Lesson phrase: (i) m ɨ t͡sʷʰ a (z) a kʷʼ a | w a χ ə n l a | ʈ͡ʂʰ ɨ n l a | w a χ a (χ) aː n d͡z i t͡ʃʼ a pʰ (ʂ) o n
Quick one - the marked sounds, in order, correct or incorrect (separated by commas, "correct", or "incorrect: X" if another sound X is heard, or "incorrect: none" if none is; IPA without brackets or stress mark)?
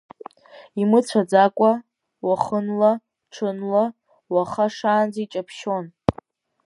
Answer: correct, incorrect: d͡z, incorrect: ʂ, incorrect: ʃ